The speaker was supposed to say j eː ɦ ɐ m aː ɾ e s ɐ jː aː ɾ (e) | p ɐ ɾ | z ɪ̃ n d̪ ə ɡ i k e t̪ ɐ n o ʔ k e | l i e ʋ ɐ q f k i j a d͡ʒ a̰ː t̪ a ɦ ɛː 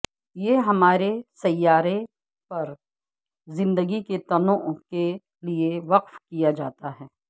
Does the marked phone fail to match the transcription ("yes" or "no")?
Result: no